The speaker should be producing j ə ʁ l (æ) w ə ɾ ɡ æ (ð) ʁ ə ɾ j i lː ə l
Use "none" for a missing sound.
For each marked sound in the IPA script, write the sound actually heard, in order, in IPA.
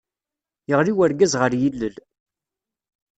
i, z

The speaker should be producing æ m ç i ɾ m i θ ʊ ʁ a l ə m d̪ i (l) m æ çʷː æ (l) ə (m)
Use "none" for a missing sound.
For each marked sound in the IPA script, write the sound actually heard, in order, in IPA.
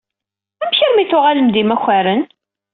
none, ɾ, n

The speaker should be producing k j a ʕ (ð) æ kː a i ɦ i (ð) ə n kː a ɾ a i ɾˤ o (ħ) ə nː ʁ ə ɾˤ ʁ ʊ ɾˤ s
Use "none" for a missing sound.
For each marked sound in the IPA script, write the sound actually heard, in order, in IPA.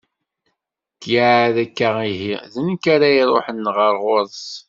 ð, ð, ħ

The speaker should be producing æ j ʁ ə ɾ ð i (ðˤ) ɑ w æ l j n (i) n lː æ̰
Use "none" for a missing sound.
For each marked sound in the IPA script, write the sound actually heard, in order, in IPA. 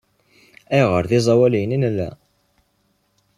zˤ, i

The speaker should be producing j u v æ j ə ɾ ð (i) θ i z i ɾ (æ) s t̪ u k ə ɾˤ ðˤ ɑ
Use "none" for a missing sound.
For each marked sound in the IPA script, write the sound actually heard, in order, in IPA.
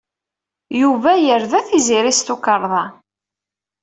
æ, i

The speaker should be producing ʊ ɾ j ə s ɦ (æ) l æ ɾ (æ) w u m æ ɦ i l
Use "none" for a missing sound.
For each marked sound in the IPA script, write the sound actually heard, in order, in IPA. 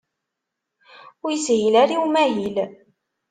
i, i

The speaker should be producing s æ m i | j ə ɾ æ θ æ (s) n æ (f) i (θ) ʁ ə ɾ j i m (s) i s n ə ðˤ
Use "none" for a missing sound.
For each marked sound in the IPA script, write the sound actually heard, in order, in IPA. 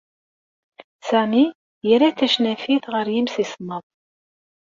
ʃ, f, θ, s

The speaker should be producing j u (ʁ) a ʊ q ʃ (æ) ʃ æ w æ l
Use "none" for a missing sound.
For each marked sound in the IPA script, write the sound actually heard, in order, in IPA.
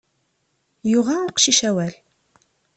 ʁ, i

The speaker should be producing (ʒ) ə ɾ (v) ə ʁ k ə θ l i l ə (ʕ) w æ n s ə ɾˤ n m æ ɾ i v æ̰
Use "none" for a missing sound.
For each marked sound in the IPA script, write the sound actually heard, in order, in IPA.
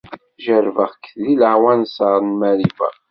ʒ, v, ʕ

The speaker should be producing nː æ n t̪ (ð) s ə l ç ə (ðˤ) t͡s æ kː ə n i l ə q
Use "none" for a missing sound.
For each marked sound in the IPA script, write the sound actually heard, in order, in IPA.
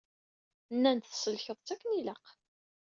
θ, ðˤ

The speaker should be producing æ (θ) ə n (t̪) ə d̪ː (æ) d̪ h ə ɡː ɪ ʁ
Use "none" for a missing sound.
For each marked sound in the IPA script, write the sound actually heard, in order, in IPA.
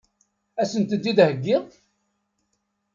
s, t̪, i

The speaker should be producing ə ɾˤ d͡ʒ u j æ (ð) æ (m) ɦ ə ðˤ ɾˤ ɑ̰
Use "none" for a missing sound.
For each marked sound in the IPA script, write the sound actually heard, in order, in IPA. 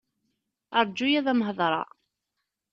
ð, m

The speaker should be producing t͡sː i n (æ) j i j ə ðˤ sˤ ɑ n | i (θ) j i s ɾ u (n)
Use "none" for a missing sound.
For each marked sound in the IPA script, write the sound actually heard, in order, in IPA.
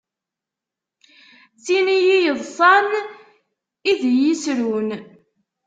i, ð, n

